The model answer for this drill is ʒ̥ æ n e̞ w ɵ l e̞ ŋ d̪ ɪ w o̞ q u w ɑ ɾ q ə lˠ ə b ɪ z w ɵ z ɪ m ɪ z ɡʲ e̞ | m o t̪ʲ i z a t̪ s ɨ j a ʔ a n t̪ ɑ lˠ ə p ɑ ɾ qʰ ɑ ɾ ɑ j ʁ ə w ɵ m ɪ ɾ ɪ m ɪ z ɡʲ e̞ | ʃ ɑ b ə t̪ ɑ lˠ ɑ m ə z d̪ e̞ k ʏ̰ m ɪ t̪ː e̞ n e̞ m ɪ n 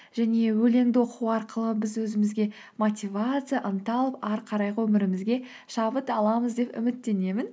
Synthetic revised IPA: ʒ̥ æ n e̞ w ɵ l e̞ ŋ d̪ ɪ w o̞ q u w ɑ ɾ q ə lˠ ə b ɪ z w ɵ z ɪ m ɪ z ɡʲ e̞ | m o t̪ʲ i v a t̪ s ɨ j a ʔ ə n t̪ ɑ lˠ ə p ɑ ɾ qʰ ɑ ɾ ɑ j ʁ ə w ɵ m ɪ ɾ ɪ m ɪ z ɡʲ e̞ | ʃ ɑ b ə t̪ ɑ lˠ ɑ m ə z d̪ e̞ p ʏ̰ m ɪ t̪ː e̞ n e̞ m ɪ n